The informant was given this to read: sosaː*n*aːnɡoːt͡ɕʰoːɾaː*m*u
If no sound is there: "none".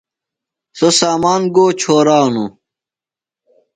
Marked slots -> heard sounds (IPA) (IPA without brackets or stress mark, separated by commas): m, n